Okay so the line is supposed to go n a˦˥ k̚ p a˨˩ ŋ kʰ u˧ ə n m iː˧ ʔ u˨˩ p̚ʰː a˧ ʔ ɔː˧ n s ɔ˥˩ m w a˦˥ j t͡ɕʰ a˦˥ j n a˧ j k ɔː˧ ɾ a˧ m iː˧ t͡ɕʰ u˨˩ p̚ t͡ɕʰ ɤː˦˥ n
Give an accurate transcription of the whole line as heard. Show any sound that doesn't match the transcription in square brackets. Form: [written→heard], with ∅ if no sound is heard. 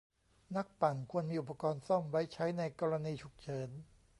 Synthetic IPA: n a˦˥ k̚ p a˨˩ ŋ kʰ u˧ ə n m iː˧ ʔ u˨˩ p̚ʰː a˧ [ʔ→k] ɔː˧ n s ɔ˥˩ m w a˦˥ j t͡ɕʰ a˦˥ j n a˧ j k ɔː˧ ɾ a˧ [m→n] iː˧ t͡ɕʰ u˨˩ [p̚→k̚] t͡ɕʰ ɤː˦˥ n